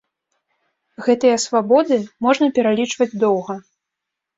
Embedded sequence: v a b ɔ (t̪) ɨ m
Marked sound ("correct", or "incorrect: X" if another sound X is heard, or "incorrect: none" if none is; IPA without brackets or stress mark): incorrect: d̪